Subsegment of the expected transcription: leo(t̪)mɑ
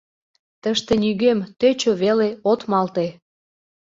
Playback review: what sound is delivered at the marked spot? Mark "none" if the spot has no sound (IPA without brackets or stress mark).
t̪